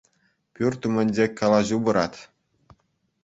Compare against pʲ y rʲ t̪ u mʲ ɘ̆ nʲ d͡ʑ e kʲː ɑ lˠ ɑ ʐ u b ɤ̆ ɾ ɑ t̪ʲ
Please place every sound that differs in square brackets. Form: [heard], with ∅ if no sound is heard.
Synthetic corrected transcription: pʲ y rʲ t̪ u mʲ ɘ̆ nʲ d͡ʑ e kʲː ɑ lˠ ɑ [ʑ] u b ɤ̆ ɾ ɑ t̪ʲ

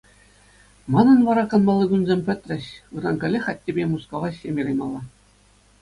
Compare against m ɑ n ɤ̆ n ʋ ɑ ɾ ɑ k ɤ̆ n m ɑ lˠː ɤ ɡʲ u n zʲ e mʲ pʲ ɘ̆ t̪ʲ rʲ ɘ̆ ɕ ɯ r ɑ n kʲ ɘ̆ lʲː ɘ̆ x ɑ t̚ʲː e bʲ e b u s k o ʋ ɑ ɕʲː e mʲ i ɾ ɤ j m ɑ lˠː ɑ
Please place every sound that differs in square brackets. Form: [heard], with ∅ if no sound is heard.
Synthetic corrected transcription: m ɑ n ɤ̆ n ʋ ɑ ɾ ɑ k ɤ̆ n m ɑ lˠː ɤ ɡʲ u n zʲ e mʲ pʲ ɘ̆ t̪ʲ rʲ ɘ̆ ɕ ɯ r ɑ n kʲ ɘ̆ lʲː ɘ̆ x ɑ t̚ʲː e bʲ e [m] u s k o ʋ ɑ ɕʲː e mʲ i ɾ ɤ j m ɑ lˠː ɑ

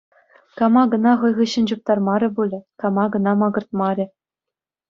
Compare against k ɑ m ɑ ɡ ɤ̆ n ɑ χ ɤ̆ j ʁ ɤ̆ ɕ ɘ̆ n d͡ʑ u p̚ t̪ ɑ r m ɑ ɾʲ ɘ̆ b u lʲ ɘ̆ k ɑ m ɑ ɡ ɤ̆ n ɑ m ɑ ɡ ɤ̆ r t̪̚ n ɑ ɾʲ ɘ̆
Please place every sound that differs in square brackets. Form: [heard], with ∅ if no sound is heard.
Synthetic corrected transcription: k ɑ m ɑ ɡ ɤ̆ n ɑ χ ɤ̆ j ʁ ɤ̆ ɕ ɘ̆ n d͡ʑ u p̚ t̪ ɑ r m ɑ ɾʲ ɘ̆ b u lʲ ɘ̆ k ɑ m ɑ ɡ ɤ̆ n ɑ m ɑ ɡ ɤ̆ r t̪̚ [m] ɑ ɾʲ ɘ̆

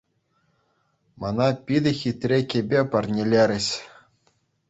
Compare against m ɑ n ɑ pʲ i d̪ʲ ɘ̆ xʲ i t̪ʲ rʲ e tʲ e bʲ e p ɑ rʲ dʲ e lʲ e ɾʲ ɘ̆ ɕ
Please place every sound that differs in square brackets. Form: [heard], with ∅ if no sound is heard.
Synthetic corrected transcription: m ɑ n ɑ pʲ i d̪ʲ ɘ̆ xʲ i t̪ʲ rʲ e [kʲ] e bʲ e p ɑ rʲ [nʲ] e lʲ e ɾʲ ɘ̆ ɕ

